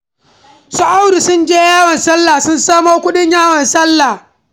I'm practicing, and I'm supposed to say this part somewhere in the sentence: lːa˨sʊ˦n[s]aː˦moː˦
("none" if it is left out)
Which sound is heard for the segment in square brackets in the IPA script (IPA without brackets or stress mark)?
s